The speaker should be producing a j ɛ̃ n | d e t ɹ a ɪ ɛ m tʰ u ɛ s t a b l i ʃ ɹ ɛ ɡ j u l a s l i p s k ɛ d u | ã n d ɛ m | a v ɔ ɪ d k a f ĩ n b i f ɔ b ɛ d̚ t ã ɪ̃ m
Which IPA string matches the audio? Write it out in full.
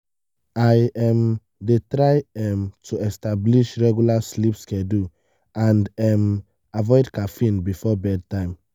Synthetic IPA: a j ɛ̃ m | d e t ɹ a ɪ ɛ m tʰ u ɛ s t a b l i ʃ ɹ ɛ ɡ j u l a s l i p s k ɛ d u | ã n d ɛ m | a v ɔ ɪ d k a f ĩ n b i f ɔ b ɛ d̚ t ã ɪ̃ m